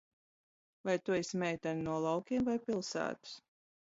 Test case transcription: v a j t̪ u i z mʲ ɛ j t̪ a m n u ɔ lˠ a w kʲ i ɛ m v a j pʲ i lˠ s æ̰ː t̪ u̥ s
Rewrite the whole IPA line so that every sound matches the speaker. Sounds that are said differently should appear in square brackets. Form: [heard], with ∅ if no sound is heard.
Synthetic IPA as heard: v a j t̪ u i [s] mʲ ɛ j t̪ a [n] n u ɔ lˠ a w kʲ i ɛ m v a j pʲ i lˠ s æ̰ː t̪ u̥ s